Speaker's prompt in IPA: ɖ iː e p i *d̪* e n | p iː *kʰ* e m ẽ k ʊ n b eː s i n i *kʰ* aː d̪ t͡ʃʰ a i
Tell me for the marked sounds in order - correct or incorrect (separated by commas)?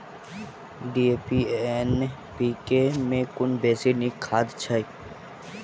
incorrect, incorrect, correct